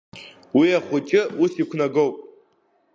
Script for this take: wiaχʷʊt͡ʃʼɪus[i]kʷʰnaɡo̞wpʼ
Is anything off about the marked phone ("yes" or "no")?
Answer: no